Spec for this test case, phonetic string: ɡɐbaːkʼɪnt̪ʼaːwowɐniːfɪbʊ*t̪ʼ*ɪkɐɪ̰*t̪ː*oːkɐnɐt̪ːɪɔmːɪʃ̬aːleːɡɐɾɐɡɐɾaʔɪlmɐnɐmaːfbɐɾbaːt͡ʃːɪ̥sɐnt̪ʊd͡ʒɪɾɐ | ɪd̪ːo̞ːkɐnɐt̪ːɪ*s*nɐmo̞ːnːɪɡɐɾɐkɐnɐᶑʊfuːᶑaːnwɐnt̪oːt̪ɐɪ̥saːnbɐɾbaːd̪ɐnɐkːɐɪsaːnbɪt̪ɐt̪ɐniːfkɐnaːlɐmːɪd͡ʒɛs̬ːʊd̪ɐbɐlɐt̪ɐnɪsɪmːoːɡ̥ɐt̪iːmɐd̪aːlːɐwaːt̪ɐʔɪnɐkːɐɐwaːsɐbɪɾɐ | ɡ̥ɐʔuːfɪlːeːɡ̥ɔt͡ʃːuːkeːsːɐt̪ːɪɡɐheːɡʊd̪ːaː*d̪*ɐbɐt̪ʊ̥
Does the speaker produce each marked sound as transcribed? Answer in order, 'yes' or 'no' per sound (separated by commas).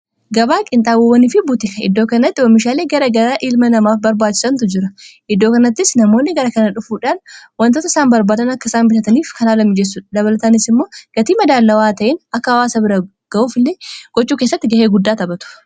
no, no, yes, no